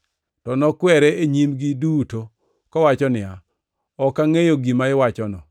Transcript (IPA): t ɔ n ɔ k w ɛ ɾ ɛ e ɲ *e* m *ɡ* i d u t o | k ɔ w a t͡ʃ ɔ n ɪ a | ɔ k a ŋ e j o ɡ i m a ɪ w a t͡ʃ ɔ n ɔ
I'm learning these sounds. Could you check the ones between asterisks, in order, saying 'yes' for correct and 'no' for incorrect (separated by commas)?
no, yes